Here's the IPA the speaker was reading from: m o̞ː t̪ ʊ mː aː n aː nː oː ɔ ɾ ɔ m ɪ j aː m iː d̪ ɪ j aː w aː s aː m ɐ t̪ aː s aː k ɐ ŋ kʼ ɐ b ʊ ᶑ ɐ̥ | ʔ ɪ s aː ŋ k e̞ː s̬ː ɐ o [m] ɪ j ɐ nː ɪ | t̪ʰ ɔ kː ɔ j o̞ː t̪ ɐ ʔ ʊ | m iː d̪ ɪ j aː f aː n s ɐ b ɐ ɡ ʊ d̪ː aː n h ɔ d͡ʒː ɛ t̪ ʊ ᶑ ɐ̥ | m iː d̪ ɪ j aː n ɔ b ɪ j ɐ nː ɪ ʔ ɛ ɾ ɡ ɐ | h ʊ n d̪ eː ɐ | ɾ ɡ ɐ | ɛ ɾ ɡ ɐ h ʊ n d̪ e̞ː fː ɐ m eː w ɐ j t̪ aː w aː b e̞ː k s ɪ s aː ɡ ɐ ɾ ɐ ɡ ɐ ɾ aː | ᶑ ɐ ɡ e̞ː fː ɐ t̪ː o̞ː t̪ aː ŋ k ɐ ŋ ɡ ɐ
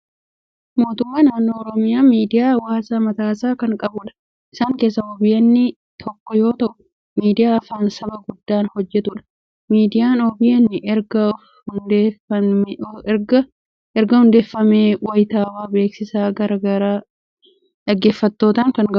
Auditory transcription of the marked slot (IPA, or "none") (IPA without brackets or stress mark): b